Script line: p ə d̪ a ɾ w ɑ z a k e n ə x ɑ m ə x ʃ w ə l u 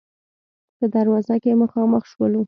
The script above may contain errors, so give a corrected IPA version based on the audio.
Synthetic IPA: p ə d̪ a ɾ w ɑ z a k e m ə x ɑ m ə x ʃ w ə l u